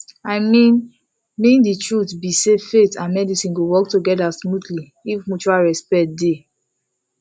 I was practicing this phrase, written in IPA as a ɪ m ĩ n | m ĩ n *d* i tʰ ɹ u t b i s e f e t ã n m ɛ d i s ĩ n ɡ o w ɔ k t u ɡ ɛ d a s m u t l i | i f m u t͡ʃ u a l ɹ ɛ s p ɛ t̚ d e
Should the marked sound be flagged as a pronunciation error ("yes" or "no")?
no